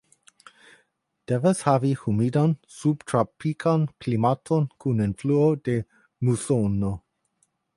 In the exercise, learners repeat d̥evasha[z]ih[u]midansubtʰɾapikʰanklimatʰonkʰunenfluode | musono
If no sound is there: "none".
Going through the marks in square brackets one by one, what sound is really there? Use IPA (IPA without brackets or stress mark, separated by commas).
v, u